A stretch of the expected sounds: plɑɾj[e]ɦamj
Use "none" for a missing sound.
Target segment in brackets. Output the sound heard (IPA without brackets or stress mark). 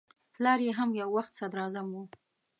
e